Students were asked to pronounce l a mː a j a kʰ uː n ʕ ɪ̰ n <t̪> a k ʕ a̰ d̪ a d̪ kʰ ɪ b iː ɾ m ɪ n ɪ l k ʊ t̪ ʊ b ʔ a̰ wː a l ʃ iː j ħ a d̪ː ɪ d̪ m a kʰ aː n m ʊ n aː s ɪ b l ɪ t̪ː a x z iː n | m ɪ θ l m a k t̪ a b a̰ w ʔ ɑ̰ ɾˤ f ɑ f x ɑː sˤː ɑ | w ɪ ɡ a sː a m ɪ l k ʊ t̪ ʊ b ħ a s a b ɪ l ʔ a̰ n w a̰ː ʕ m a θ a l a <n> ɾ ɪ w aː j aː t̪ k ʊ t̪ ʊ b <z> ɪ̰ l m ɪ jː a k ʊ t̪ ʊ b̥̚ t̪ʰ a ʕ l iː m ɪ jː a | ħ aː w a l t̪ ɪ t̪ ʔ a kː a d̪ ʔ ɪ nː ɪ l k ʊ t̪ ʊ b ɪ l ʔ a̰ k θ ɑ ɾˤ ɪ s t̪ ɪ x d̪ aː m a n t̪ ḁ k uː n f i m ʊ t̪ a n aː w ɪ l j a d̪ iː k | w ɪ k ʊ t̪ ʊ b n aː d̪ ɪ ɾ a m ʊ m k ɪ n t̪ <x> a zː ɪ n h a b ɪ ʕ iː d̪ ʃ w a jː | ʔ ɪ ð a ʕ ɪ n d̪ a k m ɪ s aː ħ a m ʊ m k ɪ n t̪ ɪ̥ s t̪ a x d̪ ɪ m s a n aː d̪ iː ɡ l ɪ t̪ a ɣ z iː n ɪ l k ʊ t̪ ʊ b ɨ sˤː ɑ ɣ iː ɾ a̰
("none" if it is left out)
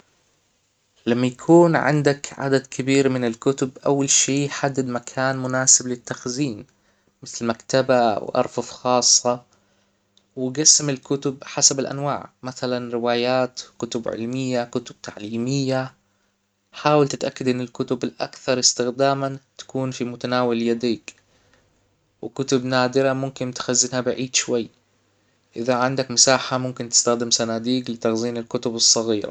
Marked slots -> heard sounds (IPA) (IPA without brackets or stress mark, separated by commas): d̪, n, ʕ, x